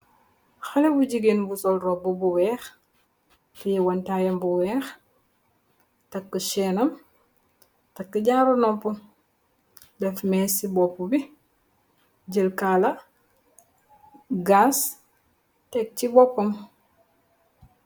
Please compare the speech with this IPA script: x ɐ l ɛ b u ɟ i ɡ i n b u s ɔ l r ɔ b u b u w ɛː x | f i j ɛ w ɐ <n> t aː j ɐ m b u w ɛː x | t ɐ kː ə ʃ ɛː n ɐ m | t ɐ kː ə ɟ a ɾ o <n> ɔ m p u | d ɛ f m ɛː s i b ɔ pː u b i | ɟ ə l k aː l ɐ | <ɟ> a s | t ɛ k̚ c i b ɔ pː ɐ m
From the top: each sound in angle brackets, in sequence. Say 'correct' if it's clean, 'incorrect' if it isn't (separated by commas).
correct, correct, incorrect